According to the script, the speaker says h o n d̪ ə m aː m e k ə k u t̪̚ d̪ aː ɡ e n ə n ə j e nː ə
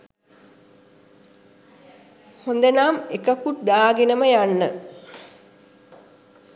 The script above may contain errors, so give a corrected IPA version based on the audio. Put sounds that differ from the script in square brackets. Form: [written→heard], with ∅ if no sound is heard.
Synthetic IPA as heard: h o n d̪ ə [m→n] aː m e k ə k u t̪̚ d̪ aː ɡ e n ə [n→m] ə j [e→a] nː ə